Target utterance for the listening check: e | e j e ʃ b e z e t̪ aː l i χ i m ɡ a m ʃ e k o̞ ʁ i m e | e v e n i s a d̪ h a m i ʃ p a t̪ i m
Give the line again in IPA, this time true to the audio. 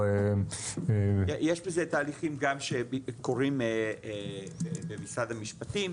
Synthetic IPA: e | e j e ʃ b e z e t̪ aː l i χ i m ɡ a m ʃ e k o̞ ʁ i m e | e b e m i s a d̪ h a m i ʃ p a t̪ i m